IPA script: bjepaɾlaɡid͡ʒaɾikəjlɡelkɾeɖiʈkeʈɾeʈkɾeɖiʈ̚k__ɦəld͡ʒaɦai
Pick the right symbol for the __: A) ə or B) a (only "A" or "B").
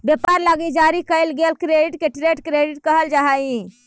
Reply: A